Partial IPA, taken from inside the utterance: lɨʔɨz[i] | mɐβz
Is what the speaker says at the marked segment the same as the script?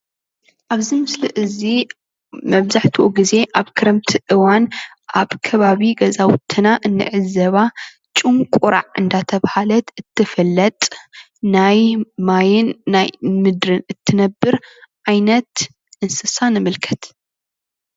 yes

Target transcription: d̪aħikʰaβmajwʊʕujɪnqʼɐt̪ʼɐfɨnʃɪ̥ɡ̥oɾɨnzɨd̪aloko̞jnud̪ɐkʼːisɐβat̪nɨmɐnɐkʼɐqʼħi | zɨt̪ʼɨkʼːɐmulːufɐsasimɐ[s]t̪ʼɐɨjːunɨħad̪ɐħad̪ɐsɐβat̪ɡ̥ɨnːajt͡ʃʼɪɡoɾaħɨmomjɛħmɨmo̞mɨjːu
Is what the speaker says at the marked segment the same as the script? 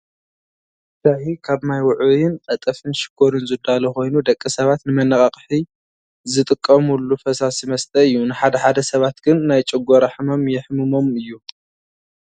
yes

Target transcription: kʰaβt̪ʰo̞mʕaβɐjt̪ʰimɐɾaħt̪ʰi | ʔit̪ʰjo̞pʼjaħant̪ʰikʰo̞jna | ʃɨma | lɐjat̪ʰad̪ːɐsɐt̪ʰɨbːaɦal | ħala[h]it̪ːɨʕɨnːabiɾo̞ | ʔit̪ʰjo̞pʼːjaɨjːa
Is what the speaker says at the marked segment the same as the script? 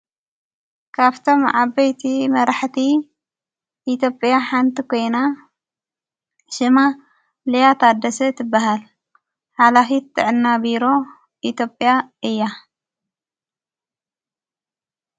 no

